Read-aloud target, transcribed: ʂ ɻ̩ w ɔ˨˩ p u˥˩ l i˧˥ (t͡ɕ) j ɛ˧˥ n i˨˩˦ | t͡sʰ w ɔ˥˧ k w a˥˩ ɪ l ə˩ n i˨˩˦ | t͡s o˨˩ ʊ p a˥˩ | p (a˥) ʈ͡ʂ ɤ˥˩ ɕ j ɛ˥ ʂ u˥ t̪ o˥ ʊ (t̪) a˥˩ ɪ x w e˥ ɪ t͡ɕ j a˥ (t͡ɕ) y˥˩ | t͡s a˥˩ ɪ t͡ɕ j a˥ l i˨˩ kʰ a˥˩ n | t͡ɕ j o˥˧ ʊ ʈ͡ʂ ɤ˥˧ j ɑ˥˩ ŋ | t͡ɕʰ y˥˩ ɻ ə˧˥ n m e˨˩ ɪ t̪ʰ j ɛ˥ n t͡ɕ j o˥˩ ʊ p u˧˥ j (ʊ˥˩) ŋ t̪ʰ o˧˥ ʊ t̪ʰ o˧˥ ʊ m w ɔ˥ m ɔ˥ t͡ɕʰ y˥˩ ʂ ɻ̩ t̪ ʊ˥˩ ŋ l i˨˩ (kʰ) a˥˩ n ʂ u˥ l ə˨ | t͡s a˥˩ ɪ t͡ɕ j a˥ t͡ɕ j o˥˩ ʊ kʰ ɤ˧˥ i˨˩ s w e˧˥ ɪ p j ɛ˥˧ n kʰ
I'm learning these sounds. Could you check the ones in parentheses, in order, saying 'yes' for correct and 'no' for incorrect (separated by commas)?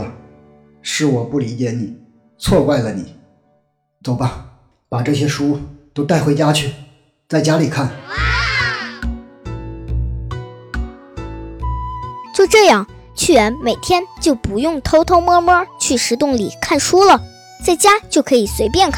yes, no, yes, no, yes, yes